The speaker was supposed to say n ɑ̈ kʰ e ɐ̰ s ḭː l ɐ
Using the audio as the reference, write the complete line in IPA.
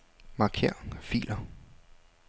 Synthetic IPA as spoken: m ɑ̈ kʰ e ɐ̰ f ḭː l ɐ